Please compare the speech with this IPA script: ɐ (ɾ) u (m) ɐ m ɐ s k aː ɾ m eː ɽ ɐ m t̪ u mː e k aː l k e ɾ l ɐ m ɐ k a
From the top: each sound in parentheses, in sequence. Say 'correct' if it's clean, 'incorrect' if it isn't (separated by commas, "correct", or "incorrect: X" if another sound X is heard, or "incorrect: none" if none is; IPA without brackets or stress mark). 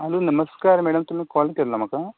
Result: incorrect: l, incorrect: n